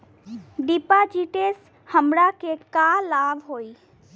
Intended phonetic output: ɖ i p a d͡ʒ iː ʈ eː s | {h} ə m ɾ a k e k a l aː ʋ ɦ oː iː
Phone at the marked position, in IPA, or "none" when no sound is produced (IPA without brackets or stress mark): h